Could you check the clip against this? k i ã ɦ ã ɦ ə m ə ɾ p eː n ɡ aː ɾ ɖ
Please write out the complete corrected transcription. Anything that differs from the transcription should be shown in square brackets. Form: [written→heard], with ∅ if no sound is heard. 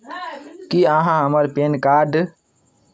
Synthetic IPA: k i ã ɦ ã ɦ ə m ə ɾ p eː n [ɡ→k] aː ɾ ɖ